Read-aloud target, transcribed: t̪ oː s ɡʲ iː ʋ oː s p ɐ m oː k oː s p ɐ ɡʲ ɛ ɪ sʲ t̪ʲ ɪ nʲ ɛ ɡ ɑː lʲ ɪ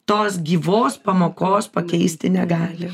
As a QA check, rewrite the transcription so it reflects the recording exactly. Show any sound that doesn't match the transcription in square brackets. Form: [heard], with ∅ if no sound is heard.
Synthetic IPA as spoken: t̪ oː s ɡʲ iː ʋ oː s p ɐ m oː k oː s p ɐ [kʲ] ɛ ɪ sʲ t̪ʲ ɪ nʲ ɛ ɡ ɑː lʲ ɪ